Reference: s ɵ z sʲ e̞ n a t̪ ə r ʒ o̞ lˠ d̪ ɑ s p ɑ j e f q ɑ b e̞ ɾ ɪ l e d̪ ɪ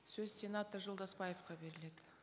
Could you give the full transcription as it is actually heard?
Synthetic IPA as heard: s ɵ z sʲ e̞ n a t̪ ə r ʒ o̞ lˠ d̪ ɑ s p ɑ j e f q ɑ b e̞ ɾ ɪ l e d̪ ɪ